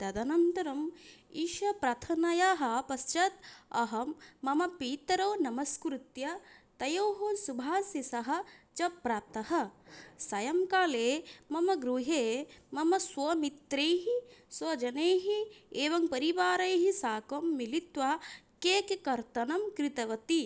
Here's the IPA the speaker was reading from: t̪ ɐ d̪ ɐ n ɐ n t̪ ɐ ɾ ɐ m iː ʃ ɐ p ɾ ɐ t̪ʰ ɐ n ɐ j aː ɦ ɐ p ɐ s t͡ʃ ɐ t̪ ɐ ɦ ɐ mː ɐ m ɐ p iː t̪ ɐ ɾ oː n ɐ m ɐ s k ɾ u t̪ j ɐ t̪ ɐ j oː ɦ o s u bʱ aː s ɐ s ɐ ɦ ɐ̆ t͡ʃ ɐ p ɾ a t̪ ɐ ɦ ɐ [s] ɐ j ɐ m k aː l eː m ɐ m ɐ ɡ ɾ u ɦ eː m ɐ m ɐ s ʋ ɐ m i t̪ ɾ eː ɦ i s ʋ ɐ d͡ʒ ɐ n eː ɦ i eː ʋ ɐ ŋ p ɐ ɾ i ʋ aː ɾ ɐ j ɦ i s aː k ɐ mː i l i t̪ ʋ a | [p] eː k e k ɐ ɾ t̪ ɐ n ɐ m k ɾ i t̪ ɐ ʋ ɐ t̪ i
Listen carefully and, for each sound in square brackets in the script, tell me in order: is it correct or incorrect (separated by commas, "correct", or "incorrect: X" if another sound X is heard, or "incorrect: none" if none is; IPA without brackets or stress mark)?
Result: correct, incorrect: k